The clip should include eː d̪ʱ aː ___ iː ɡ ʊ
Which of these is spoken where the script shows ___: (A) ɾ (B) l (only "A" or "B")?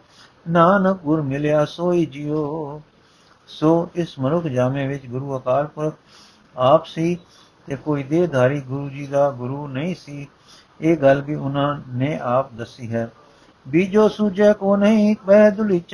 A